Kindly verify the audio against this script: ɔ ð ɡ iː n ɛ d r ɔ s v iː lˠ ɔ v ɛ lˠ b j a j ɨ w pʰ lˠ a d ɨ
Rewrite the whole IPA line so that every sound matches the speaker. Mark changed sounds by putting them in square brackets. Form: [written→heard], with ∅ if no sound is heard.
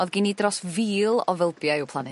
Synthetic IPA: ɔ ð ɡ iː n [ɛ→i] d r ɔ s v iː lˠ ɔ v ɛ lˠ b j a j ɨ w pʰ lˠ a [d→n] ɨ